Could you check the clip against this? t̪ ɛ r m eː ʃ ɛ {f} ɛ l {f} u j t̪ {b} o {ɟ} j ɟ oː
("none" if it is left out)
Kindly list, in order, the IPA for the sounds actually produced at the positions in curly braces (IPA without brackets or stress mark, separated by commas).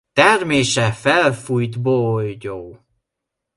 f, f, b, none